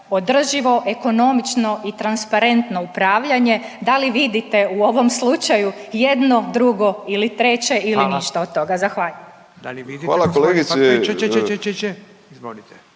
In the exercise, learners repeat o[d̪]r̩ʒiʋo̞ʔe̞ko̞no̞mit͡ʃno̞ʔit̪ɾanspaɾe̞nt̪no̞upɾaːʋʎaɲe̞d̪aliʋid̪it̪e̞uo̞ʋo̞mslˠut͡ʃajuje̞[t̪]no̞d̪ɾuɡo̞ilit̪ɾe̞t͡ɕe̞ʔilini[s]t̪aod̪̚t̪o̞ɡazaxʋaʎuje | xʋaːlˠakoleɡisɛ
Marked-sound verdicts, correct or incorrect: correct, incorrect: d̪, incorrect: ʃ

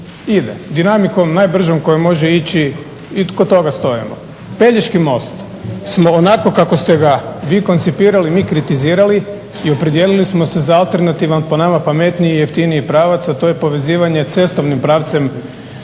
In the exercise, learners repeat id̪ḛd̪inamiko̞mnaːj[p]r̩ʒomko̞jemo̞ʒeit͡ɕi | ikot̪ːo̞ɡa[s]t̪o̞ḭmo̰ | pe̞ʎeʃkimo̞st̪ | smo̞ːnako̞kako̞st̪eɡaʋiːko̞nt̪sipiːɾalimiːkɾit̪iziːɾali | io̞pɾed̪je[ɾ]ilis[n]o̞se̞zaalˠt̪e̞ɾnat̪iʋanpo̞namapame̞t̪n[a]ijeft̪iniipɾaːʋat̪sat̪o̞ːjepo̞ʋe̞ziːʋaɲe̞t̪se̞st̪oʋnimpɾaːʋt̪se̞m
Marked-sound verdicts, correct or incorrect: incorrect: b, correct, incorrect: l, incorrect: m, incorrect: i

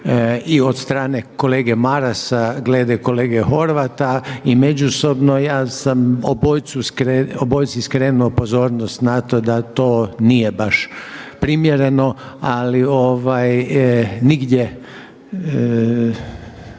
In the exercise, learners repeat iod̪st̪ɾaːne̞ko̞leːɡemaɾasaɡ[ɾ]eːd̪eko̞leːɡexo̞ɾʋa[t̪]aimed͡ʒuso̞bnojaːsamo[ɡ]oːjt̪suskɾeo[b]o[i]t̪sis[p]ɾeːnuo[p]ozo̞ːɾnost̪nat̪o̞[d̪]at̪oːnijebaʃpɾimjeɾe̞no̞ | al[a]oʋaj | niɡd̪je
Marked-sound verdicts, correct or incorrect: incorrect: l, correct, incorrect: b, correct, incorrect: j, incorrect: k, correct, correct, incorrect: i

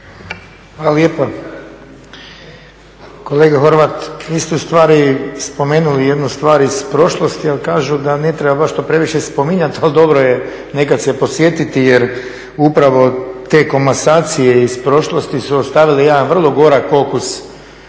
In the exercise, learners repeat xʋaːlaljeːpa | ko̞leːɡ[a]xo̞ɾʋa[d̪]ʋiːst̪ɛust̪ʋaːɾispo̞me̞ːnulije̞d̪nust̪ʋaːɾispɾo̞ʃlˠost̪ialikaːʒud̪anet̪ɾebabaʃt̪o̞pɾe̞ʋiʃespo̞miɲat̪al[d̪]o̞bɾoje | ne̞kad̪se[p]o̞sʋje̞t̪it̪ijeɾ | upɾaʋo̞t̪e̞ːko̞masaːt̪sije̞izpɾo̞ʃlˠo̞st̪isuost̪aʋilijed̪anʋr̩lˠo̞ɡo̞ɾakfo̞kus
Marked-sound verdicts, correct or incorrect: correct, incorrect: t̪, correct, correct

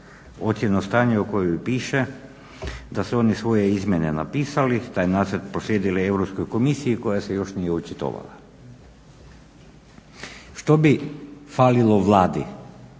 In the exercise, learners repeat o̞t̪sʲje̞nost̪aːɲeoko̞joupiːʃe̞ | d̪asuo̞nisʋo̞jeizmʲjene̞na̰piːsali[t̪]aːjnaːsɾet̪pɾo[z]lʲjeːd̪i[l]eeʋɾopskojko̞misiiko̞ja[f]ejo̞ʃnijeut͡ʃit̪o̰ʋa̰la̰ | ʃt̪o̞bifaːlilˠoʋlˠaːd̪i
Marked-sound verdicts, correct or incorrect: correct, incorrect: s, correct, incorrect: s

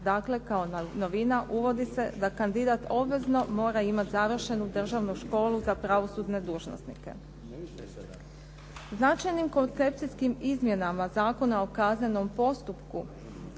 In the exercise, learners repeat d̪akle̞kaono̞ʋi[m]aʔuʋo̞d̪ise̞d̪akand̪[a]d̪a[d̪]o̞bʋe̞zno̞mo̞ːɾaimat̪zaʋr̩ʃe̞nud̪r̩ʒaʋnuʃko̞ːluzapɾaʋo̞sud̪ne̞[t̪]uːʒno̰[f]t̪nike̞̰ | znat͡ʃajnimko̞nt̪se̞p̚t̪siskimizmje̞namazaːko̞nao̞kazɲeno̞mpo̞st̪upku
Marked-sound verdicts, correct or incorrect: incorrect: n, incorrect: i, incorrect: t̪, incorrect: d̪, incorrect: s

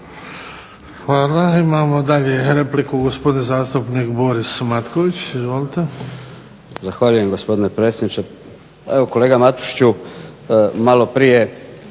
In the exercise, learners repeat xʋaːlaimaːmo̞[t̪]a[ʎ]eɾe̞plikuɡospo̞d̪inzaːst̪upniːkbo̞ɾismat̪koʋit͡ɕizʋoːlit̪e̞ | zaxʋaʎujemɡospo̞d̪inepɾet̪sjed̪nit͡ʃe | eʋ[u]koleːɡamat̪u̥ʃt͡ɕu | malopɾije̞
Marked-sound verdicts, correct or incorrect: incorrect: d̪, correct, incorrect: o

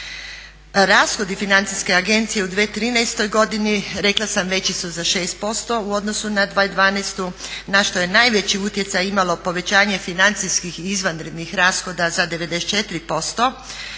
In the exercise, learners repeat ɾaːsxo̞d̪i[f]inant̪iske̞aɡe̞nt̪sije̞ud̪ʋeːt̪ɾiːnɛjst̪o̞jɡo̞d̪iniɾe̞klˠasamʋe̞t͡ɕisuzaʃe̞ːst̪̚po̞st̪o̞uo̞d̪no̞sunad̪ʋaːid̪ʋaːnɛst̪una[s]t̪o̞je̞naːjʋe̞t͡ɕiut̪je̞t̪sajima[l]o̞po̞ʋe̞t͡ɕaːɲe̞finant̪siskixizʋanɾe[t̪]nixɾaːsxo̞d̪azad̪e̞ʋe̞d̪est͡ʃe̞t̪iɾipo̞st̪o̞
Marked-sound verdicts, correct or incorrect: correct, incorrect: ʃ, correct, incorrect: d̪

